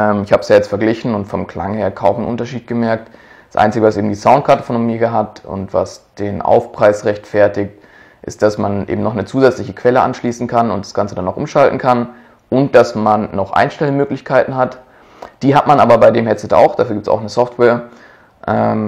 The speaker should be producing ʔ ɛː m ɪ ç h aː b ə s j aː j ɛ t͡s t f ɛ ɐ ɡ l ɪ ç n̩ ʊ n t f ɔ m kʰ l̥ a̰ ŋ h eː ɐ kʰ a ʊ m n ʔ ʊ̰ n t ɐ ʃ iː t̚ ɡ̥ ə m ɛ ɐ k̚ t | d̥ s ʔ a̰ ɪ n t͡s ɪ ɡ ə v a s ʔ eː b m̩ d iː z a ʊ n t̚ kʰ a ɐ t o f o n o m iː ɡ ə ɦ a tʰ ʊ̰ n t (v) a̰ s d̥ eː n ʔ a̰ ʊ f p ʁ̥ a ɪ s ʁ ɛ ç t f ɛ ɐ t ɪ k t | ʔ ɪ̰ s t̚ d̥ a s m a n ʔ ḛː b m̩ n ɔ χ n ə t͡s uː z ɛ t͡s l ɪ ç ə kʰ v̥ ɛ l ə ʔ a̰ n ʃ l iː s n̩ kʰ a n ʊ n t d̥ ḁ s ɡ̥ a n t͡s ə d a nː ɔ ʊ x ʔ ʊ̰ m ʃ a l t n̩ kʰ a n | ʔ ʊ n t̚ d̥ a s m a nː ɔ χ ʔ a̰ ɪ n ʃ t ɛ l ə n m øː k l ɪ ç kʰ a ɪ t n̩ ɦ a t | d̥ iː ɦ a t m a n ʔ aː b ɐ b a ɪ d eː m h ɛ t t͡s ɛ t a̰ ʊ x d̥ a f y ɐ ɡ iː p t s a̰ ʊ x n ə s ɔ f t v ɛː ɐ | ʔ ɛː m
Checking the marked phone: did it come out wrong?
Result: no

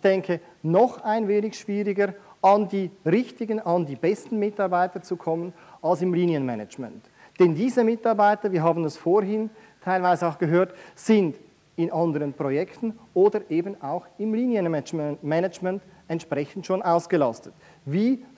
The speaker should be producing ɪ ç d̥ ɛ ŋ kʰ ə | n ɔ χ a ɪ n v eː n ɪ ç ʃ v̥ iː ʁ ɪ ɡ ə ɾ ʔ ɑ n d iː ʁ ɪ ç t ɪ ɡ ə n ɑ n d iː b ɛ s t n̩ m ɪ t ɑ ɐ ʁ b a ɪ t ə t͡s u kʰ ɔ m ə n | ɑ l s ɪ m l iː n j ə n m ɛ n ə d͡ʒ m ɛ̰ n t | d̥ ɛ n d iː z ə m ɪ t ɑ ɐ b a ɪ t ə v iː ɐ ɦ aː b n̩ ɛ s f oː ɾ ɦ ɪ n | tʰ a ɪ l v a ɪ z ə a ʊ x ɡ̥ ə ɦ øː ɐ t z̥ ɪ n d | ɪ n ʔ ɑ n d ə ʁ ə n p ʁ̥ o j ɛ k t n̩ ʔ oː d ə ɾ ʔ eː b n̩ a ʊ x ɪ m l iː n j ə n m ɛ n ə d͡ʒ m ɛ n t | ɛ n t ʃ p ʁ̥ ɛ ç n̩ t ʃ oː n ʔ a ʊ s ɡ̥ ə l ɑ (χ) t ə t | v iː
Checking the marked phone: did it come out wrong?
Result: yes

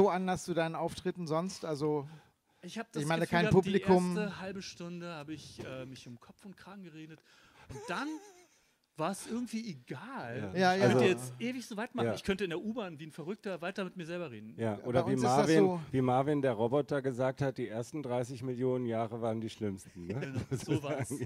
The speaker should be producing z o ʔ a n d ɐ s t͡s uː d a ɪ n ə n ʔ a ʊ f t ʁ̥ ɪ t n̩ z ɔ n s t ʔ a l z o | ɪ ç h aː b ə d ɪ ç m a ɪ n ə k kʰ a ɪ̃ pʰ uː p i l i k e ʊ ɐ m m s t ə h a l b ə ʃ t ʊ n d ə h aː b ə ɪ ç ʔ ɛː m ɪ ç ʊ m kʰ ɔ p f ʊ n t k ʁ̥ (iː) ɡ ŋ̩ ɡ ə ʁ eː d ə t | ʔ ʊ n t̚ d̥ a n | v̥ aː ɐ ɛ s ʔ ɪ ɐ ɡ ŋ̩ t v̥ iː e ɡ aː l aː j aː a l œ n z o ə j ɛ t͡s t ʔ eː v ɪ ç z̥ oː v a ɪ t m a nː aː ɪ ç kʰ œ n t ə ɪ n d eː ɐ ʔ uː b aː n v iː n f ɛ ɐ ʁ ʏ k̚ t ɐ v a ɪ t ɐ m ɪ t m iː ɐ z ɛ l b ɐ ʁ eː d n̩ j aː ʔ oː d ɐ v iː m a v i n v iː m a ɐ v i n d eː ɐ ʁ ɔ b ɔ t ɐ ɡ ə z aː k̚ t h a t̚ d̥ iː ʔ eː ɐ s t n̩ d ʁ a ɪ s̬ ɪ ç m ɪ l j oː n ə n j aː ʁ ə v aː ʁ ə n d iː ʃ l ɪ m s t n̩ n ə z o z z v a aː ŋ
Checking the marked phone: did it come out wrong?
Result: yes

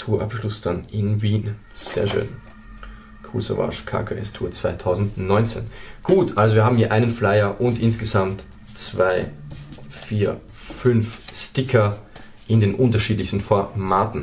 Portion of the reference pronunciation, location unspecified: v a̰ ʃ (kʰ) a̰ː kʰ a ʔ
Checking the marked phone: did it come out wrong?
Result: no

